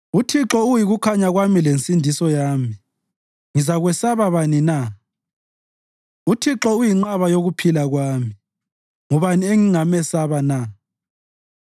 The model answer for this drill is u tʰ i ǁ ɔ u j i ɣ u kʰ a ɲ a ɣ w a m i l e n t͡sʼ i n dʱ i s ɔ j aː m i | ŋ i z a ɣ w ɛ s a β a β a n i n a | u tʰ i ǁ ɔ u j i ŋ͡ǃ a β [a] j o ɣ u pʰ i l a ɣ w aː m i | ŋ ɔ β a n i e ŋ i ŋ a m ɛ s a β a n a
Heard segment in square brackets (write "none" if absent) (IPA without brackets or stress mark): a